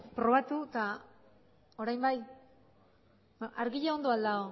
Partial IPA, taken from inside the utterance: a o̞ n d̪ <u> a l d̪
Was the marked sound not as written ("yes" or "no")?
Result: yes